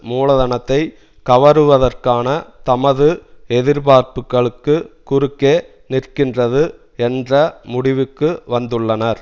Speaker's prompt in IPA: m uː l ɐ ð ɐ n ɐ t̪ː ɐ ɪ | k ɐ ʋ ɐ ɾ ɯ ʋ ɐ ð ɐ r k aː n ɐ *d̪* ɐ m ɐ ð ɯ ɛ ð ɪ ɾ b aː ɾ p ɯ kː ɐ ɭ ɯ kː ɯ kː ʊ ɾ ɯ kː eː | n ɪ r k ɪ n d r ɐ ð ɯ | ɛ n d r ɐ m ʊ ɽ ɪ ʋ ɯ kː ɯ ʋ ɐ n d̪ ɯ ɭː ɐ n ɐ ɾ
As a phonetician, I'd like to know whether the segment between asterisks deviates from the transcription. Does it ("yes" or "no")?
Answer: yes